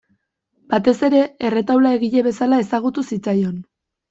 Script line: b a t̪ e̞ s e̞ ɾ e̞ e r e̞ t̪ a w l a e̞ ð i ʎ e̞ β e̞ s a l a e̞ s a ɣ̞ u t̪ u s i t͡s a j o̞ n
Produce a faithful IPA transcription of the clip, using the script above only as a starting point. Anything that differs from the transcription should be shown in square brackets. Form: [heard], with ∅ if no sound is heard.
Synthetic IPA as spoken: b a t̪ e̞ s e̞ ɾ e̞ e r e̞ t̪ a w l a e̞ [ɣ] i ʎ e̞ β e̞ s a l a e̞ s a ɣ̞ u t̪ u s i t͡s a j o̞ n